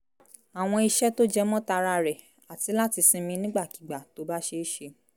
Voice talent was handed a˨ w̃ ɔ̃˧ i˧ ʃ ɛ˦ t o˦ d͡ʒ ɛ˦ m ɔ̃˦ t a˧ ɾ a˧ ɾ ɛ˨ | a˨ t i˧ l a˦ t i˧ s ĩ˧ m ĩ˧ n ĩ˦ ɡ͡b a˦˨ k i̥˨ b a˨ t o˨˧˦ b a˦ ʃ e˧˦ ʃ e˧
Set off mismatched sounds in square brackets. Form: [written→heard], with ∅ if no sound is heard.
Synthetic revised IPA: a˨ w̃ ɔ̃˧ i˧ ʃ ɛ˦ t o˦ d͡ʒ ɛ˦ m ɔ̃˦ t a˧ ɾ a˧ ɾ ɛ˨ | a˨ t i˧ l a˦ t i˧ s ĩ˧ m ĩ˧ n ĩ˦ ɡ͡b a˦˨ k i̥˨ [b→ɡ͡b] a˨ t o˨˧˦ b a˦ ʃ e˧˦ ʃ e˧